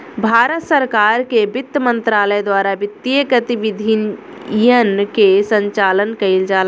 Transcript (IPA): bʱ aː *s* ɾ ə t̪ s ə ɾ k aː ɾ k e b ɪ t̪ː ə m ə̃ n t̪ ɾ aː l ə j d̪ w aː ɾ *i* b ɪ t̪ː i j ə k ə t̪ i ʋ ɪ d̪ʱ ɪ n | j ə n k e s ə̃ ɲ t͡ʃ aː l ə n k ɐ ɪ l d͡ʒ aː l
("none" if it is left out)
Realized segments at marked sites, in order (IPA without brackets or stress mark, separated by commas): none, a